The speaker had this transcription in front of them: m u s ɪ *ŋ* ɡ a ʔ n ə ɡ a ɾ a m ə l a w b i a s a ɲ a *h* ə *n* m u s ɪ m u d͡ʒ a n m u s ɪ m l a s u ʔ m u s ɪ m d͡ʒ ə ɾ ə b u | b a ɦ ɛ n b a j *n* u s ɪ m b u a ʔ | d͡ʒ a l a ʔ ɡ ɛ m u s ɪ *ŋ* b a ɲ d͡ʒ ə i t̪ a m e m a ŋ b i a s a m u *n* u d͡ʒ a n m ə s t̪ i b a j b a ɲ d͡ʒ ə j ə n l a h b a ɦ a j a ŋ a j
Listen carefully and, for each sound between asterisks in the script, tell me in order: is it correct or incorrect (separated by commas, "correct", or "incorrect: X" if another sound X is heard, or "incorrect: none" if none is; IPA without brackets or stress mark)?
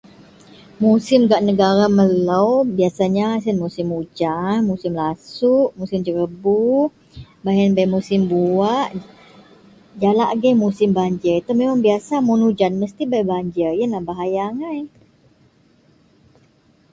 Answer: incorrect: m, incorrect: s, correct, incorrect: m, incorrect: m, correct